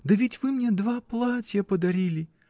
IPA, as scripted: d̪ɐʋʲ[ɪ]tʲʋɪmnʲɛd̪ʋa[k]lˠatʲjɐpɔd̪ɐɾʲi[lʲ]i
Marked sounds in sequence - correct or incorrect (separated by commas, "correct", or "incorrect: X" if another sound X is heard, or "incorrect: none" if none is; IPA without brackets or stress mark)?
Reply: incorrect: i, incorrect: p, correct